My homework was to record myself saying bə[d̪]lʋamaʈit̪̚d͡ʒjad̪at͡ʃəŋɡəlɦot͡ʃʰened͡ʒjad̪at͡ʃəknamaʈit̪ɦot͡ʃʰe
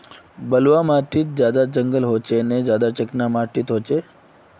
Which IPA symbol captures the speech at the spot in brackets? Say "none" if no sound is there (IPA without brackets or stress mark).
none